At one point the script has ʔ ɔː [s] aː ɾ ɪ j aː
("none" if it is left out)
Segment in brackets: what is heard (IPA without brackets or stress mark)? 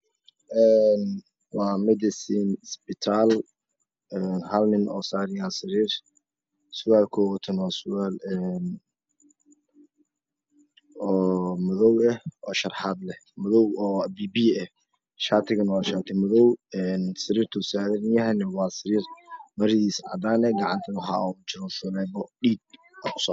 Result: s